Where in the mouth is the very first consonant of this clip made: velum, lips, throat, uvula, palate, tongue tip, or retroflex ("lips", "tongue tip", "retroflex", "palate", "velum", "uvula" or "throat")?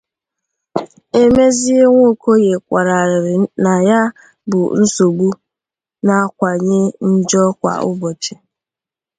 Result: lips